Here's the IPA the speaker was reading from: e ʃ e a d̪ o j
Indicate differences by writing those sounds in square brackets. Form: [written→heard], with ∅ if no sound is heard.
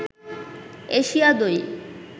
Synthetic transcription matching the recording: e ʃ [e→i] a d̪ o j